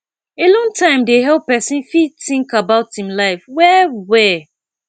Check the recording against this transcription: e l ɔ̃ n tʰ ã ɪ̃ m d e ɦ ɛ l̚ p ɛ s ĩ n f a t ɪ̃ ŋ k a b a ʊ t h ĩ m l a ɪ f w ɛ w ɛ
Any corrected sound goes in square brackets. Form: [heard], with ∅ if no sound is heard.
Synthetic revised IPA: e l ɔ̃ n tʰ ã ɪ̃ m d e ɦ ɛ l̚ p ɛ s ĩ n f [i] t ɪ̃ ŋ k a b a ʊ t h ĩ m l a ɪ f w ɛ w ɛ